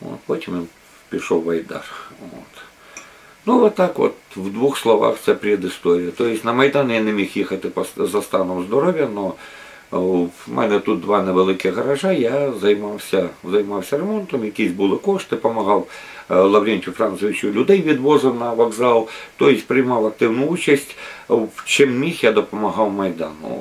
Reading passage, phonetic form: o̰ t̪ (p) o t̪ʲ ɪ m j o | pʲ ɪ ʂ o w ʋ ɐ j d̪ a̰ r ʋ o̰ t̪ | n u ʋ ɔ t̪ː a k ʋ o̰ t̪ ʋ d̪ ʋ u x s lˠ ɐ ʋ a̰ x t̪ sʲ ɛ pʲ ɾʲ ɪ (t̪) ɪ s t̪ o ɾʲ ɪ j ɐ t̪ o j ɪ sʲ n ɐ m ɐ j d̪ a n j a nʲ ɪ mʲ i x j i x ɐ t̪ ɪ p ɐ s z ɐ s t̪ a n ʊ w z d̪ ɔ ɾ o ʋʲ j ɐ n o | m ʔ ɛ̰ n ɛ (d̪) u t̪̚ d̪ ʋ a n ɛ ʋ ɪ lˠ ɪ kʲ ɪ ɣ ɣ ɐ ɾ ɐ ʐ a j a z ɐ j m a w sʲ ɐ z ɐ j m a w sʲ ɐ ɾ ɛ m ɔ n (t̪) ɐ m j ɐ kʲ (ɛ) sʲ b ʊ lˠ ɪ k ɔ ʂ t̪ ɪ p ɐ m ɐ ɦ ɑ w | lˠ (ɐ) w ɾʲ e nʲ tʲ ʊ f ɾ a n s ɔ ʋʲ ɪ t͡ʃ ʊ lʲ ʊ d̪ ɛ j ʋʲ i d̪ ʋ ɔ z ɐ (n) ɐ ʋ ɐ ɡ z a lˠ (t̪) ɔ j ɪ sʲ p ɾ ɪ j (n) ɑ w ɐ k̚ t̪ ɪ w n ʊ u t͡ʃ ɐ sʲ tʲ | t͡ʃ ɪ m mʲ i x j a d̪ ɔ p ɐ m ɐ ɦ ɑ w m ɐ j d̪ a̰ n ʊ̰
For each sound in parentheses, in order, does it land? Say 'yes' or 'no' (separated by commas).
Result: yes, no, no, yes, no, yes, yes, yes, no